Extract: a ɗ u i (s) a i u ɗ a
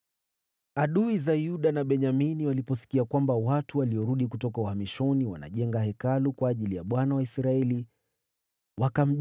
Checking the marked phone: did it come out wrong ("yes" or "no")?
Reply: yes